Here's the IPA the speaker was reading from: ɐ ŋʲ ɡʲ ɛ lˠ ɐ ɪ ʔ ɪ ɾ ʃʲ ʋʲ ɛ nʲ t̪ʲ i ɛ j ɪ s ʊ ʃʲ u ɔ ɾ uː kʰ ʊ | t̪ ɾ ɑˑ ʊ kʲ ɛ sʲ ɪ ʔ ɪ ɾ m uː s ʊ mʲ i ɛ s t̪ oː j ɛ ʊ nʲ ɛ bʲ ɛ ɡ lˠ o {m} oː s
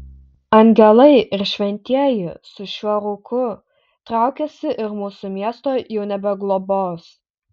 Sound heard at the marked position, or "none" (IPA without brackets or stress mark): b